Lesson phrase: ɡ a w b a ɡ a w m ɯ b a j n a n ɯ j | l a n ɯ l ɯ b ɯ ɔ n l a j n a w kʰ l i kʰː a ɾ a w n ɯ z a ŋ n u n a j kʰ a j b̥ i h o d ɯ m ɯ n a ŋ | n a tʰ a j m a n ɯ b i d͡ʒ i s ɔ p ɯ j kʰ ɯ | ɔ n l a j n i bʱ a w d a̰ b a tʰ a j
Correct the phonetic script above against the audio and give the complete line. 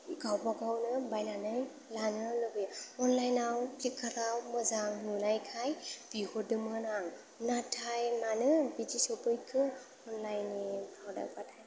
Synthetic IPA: ɡ a w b a ɡ a w n ɯ b a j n a n ɯ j | l a n ɯ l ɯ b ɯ ɔ n l a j n a w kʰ l i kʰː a ɾ a w m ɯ z a ŋ n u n a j kʰ a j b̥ i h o d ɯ m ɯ n a ŋ | n a tʰ a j m a n ɯ b i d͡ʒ i s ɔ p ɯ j kʰ ɯ | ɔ n l a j n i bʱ a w d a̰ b a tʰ a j